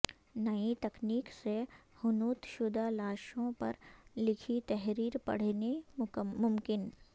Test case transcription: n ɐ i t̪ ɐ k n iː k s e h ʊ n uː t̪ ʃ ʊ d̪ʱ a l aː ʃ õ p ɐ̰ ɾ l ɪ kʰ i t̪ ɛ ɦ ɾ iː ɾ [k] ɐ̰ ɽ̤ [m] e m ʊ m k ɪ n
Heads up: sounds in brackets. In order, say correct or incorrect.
incorrect, incorrect

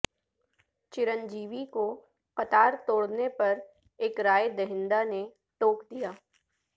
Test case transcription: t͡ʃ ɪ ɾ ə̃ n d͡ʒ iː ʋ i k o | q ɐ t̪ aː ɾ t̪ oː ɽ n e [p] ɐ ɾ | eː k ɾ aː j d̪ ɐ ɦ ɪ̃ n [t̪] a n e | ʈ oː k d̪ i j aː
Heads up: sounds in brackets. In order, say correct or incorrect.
correct, incorrect

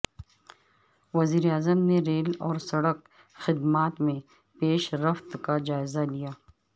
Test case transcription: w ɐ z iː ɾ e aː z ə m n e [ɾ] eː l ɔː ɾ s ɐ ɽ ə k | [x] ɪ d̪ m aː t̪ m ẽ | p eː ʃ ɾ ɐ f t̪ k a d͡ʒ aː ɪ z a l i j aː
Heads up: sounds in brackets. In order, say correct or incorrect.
correct, correct

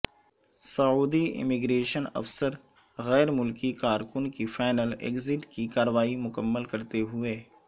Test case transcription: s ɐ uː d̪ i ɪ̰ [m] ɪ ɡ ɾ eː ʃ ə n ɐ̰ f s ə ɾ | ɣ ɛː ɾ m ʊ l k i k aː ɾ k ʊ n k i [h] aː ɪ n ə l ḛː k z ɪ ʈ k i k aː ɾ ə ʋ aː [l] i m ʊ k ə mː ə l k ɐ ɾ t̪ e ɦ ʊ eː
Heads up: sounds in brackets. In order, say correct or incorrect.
correct, incorrect, incorrect

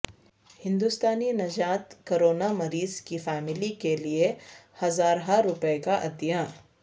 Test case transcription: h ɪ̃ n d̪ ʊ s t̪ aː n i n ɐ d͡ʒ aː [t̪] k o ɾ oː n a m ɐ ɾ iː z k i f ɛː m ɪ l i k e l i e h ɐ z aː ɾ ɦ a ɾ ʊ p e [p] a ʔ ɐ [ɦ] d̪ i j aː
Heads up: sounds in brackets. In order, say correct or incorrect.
correct, incorrect, incorrect

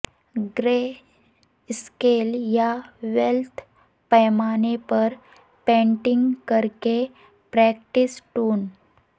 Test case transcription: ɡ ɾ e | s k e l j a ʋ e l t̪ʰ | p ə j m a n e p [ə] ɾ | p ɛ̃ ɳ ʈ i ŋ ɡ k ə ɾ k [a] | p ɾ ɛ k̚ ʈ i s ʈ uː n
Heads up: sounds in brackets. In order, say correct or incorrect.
correct, incorrect

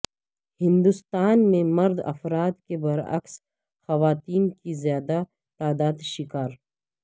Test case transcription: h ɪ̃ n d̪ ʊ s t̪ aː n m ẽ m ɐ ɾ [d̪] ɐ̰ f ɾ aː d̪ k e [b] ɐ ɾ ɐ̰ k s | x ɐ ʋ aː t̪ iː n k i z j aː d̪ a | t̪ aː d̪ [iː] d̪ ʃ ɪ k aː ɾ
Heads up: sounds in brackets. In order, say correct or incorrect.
correct, correct, incorrect

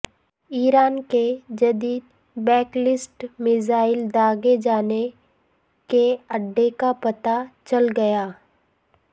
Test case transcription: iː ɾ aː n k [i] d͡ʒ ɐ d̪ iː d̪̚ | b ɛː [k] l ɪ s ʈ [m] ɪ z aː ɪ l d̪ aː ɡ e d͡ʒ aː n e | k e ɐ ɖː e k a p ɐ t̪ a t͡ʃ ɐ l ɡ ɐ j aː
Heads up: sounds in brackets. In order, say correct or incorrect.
incorrect, correct, correct

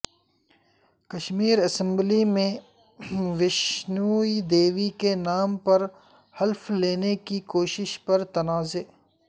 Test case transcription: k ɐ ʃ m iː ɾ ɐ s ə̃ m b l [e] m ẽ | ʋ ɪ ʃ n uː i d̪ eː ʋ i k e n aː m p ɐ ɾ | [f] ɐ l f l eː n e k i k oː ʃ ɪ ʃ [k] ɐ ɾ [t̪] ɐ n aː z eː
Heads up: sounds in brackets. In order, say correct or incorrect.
incorrect, incorrect, incorrect, correct

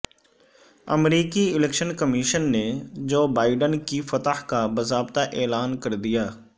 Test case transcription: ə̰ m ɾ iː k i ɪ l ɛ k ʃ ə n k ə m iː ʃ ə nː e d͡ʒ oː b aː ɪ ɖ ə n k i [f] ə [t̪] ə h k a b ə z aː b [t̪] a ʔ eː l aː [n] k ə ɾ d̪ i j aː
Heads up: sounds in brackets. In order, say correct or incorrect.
correct, correct, correct, correct

